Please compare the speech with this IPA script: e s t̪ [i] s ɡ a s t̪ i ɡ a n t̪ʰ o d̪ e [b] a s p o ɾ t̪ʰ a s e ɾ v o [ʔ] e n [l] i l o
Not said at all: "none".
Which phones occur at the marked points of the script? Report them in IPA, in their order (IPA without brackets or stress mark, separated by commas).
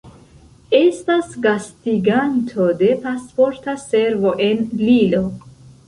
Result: a, p, ʔ, l